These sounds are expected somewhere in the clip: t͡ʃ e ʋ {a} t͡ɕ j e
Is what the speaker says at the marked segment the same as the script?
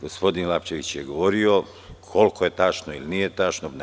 no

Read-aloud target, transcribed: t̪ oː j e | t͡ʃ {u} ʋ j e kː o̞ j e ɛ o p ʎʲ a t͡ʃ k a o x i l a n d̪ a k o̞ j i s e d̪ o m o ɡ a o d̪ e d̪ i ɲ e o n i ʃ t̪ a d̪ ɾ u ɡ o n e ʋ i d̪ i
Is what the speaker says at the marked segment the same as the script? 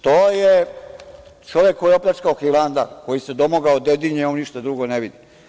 no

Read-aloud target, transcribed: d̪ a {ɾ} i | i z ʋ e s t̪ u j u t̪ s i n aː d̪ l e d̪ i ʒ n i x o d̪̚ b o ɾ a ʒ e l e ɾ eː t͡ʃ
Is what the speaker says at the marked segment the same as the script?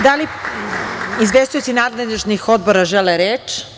no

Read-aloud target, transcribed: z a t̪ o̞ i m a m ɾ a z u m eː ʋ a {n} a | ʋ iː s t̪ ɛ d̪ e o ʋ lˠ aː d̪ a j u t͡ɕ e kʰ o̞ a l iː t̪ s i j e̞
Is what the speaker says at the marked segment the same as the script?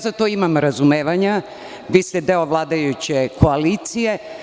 no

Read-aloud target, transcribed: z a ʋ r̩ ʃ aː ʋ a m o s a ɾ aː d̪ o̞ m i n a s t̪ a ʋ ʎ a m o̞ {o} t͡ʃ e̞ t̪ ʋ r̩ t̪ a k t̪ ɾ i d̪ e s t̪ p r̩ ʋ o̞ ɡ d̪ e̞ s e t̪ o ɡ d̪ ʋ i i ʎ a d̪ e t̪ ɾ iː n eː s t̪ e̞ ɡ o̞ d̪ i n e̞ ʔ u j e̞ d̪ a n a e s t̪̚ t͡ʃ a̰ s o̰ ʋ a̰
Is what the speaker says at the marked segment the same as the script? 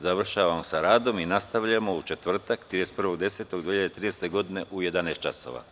no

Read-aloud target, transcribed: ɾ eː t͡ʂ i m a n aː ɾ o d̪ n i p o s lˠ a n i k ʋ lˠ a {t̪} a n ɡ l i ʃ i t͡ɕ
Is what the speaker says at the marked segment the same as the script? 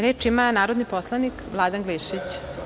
no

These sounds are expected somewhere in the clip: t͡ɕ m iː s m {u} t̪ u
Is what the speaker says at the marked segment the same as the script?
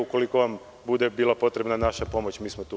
no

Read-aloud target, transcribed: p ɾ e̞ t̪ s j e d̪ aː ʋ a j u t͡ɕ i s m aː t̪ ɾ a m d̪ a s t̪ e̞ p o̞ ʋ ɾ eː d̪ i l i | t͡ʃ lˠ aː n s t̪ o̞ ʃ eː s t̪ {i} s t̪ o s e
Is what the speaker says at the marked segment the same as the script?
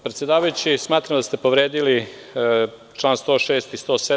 yes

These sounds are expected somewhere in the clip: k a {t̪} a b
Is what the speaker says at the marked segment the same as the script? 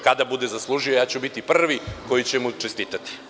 no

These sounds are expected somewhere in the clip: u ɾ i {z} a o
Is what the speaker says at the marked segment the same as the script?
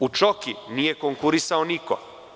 no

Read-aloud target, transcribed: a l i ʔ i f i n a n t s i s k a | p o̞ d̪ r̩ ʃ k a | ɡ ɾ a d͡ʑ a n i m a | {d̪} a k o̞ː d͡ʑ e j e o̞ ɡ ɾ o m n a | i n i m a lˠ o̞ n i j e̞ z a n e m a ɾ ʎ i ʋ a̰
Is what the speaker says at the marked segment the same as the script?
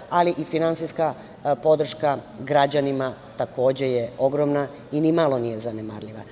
no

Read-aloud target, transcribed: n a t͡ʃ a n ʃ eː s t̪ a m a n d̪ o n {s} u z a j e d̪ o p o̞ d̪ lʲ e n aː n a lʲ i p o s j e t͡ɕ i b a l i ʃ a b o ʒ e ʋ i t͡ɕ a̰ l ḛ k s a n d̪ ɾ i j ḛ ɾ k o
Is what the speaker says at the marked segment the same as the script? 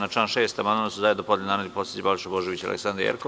yes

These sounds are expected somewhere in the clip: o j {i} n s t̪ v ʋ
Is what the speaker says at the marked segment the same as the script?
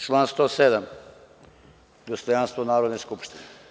no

